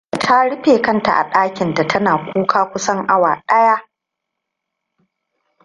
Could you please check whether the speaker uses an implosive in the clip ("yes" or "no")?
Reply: yes